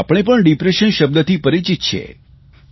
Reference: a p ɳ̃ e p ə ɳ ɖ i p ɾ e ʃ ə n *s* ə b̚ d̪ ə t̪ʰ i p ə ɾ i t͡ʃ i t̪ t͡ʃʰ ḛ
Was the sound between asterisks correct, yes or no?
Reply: no